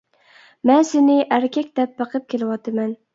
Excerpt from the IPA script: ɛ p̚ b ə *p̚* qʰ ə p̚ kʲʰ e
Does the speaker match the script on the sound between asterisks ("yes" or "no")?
no